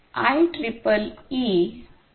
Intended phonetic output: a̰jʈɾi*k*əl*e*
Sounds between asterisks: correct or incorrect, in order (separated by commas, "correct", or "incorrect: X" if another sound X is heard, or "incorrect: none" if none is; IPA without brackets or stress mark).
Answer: incorrect: p, incorrect: i